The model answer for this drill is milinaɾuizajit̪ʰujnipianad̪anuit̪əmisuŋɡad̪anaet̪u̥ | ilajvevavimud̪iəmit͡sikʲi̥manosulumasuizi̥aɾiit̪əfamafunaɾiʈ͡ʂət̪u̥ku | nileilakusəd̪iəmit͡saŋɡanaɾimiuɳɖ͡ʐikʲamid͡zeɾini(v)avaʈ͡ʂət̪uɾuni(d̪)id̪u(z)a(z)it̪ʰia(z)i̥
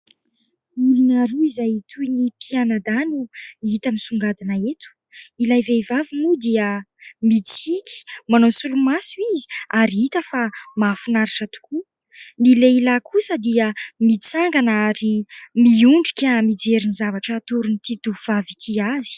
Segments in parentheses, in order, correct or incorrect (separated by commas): incorrect, incorrect, incorrect, incorrect, correct